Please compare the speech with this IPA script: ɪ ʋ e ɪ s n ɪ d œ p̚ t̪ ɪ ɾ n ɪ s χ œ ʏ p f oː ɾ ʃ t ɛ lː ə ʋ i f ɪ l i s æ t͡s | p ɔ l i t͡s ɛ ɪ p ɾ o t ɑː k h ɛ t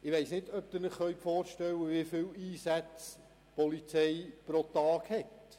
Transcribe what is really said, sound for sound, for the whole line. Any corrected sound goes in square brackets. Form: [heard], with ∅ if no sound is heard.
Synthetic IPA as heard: ɪ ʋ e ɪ s n ɪ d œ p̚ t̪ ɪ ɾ n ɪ [χ] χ œ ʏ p f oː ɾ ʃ t ɛ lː ə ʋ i f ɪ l [iː] s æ t͡s | p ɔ l i t͡s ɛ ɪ p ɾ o t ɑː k h ɛ t